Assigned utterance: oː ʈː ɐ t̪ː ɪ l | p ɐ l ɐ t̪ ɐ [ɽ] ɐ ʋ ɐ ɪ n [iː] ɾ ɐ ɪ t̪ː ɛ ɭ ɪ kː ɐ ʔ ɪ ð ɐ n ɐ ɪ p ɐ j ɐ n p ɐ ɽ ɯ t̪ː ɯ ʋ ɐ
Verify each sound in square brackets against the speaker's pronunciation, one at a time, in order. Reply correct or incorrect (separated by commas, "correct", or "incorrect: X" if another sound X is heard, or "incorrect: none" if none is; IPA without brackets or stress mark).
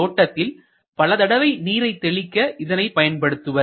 correct, correct